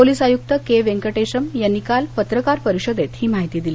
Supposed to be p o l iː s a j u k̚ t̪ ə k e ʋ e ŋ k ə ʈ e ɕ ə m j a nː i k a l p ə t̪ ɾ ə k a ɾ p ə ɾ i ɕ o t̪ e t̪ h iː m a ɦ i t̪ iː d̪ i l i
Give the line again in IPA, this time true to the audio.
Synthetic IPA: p o l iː s a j u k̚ t̪ ə k e ʋ e ŋ k ə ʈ e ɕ ə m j a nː i k a l p ə t̪ ɾ ə k a ɾ p ə ɾ i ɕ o d̪ e t̪ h iː m a ɦ i t̪ iː d̪ i l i